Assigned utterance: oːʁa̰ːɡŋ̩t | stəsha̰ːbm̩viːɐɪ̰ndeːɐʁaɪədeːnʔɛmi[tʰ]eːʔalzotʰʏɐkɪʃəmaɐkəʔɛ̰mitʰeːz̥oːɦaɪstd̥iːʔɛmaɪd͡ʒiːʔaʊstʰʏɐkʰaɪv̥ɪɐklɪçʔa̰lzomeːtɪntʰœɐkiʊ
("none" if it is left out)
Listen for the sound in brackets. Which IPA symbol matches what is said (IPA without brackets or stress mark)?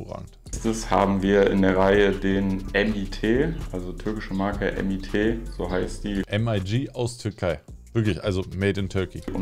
tʰ